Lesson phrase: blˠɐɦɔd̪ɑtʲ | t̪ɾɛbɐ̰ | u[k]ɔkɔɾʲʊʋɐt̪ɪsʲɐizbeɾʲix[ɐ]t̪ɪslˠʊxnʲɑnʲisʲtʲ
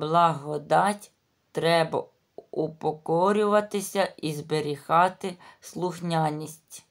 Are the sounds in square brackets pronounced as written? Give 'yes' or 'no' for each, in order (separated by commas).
no, no